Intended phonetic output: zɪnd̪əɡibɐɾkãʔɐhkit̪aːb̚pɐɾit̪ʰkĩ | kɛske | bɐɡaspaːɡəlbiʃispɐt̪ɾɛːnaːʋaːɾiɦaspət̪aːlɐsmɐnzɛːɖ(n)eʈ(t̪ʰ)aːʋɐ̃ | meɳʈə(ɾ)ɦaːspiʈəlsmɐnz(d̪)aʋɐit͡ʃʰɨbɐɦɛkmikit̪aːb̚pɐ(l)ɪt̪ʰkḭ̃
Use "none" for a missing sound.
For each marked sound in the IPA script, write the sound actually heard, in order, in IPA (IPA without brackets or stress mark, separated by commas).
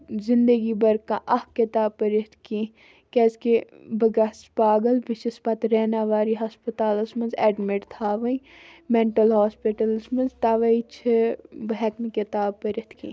m, t̪ʰ, l, t̪, ɾ